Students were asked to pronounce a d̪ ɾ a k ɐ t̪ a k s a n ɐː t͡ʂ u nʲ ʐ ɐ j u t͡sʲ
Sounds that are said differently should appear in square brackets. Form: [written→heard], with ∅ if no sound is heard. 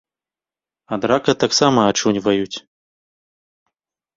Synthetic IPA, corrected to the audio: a d̪ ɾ a k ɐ t̪ a k s a [n→m] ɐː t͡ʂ u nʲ [ʐ→v] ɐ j u t͡sʲ